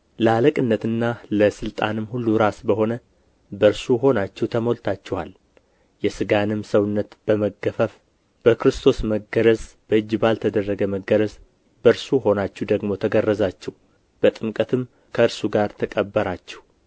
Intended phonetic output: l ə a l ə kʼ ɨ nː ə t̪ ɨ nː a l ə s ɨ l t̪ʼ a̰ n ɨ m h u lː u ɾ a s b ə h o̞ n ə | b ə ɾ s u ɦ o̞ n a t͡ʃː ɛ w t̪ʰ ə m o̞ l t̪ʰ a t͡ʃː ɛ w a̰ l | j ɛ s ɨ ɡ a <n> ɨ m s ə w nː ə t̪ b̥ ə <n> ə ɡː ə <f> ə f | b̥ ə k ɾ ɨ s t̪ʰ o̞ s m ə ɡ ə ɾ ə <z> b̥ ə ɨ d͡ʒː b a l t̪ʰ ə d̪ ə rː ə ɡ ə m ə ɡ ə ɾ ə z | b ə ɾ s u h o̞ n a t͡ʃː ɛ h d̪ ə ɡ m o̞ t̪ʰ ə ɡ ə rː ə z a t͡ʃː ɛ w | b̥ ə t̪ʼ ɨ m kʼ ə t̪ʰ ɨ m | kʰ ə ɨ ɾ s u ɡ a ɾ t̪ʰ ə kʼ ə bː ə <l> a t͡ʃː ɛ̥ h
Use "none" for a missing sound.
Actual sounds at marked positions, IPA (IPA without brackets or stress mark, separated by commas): n, m, f, z, ɾ